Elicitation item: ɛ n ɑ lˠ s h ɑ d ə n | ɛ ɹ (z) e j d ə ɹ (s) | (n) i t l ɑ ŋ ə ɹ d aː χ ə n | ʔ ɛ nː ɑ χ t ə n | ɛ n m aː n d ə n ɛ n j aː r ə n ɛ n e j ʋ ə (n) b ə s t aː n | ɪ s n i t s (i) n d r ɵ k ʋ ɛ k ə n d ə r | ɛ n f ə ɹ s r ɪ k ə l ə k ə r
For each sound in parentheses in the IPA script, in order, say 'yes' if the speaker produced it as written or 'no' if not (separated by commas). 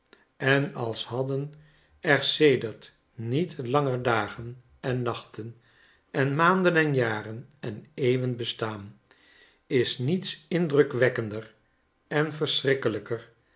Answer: no, no, yes, yes, no